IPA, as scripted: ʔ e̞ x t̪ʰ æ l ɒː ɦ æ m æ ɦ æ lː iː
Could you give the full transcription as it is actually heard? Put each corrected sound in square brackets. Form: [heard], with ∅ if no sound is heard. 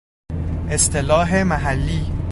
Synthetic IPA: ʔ e̞ [s] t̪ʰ [e] l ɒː ɦ [e] m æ ɦ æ lː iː